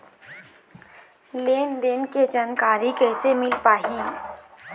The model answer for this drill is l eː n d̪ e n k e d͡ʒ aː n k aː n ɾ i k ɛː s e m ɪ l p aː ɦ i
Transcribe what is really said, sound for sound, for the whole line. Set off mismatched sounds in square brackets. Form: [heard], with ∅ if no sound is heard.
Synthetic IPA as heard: l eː n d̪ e n k e d͡ʒ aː n k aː [∅] ɾ i k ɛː s e m ɪ l p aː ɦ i